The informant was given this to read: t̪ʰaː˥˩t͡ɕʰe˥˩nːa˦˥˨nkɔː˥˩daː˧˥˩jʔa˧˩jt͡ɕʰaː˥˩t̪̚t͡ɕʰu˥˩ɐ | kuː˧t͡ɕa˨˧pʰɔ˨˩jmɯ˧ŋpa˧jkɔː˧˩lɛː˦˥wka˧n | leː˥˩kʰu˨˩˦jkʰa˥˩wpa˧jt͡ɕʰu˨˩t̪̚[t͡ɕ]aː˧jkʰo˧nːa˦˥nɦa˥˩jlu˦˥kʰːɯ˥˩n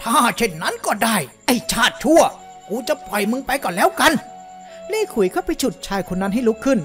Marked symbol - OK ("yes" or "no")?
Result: no